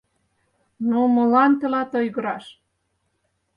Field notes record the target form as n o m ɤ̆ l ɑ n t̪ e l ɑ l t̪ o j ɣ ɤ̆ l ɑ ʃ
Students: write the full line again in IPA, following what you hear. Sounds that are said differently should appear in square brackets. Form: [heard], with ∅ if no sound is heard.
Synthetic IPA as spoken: n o m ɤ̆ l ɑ n t̪ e l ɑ [∅] t̪ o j ɣ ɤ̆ [ɾ] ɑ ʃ